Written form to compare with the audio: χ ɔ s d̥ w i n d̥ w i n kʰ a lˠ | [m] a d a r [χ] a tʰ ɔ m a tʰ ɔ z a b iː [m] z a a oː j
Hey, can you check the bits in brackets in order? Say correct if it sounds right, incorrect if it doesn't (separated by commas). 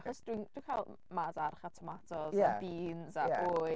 correct, correct, incorrect